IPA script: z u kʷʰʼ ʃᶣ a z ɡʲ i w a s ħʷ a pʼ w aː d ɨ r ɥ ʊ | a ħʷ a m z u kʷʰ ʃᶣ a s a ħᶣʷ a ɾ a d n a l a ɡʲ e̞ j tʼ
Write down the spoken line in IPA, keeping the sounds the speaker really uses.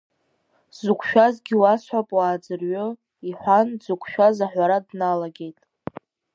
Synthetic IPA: z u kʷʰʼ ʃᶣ a z ɡʲ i w a s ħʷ a pʼ w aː d͡z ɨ r ɥ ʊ | i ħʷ a n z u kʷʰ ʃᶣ a z a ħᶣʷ a ɾ a d n a l a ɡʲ e̞ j tʼ